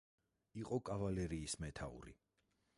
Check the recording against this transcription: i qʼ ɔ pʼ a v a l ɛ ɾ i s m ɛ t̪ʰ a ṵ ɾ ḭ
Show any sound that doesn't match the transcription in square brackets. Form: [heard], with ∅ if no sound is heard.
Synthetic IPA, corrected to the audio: i qʼ ɔ [kʼ] a v a l ɛ ɾ [iː] s m ɛ t̪ʰ a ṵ ɾ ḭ